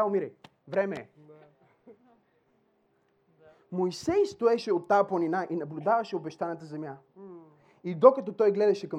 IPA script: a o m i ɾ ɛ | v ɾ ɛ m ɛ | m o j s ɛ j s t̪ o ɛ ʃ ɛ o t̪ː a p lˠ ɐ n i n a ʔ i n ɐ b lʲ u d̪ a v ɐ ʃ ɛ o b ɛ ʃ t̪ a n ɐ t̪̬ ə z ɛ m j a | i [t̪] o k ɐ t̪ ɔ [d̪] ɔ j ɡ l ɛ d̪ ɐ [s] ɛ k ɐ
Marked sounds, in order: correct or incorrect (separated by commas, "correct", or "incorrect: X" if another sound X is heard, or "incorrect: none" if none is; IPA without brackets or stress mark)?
incorrect: d̪, incorrect: t̪, incorrect: ʃ